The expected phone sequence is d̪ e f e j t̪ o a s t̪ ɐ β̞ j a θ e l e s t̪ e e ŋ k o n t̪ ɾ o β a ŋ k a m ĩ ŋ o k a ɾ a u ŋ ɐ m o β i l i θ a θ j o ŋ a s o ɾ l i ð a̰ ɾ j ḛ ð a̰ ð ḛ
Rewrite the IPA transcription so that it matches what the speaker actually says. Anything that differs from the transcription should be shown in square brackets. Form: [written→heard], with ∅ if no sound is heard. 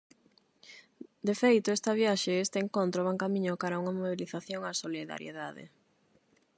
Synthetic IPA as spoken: d̪ e f e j t̪ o [a→e] s t̪ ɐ β̞ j a [θ→ʃ] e [l→∅] e s t̪ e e ŋ k o n t̪ ɾ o β a ŋ k a m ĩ [ŋ→ɲ] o k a ɾ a u ŋ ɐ m o β i l i θ a θ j o ŋ a s o [ɾ→∅] l i ð a̰ ɾ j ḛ ð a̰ ð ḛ